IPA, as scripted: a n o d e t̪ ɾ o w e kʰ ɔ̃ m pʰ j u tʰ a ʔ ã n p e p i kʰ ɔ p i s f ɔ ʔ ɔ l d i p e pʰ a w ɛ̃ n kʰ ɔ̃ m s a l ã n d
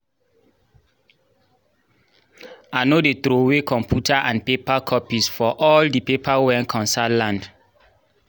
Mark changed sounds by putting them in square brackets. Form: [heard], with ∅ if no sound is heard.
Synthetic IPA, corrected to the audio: a n o d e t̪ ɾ o w e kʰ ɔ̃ m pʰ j u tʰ a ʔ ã n p e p [a] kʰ ɔ p i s f ɔ ʔ ɔ l d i p e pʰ a w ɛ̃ n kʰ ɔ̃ [n] s a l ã n d